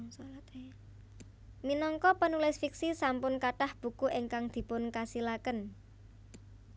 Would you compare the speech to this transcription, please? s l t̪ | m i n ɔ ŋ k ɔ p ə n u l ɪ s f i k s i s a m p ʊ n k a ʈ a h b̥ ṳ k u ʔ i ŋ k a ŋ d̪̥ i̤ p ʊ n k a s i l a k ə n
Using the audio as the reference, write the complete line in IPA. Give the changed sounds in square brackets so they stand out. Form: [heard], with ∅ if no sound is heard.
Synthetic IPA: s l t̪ | m i n ɔ ŋ k ɔ p ə n u l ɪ s f i k s i s a m p ʊ n k a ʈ a h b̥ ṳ k u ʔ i ŋ k a ŋ d̪̥ i̤ p ʊ n k a s i l a k ə n